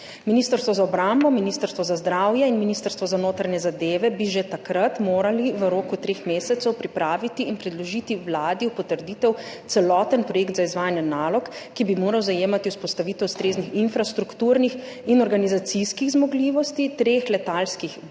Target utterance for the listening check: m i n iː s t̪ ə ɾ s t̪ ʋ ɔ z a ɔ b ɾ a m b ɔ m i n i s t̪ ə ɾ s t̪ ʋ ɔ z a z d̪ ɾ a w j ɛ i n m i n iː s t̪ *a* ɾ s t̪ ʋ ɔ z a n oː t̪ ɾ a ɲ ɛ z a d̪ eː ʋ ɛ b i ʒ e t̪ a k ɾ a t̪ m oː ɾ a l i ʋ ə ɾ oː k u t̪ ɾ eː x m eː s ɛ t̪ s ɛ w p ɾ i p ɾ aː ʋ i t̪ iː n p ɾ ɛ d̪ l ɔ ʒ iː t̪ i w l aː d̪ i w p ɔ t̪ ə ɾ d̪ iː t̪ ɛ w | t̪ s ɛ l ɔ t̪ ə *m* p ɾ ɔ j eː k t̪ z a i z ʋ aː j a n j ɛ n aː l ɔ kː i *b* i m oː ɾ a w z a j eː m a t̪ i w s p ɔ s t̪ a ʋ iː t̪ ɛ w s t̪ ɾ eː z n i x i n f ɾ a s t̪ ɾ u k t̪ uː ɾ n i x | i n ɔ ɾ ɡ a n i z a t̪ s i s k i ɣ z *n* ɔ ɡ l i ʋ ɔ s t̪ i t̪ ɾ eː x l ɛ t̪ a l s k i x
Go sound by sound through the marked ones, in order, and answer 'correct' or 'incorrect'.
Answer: incorrect: ə, incorrect: n, correct, incorrect: m

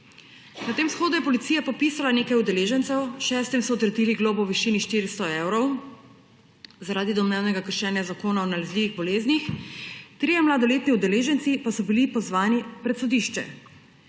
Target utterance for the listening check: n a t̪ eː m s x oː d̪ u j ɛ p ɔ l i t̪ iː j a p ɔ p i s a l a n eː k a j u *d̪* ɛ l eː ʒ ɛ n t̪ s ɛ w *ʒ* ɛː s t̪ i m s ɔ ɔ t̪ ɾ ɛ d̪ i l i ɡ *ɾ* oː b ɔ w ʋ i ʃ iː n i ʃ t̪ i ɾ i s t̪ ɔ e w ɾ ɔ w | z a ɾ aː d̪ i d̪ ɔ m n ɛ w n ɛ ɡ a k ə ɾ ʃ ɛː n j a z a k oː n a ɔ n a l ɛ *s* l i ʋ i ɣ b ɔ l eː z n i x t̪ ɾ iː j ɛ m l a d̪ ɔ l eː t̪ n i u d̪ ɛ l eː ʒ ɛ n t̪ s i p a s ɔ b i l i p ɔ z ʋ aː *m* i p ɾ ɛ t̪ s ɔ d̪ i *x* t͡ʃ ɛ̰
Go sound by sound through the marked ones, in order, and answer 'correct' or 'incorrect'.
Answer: correct, incorrect: ʃ, incorrect: l, incorrect: z, incorrect: n, incorrect: ʃ

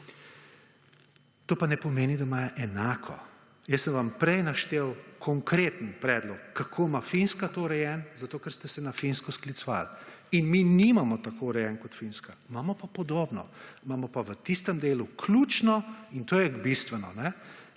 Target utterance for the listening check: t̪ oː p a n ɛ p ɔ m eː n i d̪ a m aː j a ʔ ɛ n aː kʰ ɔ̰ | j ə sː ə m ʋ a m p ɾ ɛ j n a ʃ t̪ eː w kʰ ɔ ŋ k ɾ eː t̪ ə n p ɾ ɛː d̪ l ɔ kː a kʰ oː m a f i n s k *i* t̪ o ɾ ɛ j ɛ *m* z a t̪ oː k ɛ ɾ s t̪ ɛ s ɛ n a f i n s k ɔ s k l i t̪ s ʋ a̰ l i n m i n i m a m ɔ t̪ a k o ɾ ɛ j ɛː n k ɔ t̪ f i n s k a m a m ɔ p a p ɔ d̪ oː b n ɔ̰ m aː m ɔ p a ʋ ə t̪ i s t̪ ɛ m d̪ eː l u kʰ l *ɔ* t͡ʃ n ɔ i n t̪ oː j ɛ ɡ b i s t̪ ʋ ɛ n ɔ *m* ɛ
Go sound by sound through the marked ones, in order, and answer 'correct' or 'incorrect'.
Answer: incorrect: a, incorrect: n, incorrect: u, incorrect: n

